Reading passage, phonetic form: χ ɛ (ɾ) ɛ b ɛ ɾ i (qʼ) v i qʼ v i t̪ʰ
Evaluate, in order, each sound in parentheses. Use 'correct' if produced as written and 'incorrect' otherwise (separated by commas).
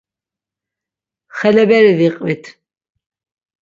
incorrect, incorrect